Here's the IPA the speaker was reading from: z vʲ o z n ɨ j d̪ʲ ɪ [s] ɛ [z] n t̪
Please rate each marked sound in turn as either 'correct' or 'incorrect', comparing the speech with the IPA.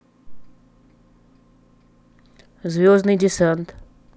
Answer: correct, incorrect

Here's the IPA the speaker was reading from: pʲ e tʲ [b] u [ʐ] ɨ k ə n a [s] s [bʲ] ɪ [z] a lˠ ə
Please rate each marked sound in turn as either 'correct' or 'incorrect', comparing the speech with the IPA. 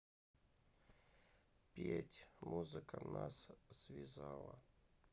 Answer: incorrect, incorrect, correct, incorrect, correct

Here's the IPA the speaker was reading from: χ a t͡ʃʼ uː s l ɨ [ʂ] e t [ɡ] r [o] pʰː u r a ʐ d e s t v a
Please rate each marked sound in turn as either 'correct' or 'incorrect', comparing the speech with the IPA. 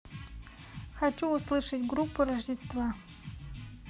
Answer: correct, correct, incorrect

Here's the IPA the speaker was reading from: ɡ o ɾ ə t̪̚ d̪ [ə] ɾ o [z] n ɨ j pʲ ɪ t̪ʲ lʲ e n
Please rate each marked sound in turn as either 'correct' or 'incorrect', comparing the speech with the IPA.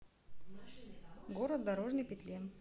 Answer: incorrect, incorrect

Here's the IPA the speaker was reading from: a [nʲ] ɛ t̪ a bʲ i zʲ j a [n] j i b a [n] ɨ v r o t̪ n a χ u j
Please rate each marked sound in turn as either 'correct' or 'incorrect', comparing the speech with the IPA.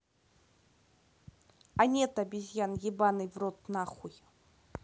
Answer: correct, correct, correct

